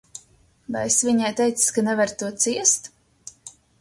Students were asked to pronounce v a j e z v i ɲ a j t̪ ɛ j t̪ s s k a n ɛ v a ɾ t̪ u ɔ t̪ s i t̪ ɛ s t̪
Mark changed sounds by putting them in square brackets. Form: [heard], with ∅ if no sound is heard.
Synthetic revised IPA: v a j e [s] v i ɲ a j t̪ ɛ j t̪ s s k a n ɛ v a ɾ t̪ u ɔ t̪ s i [∅] ɛ s t̪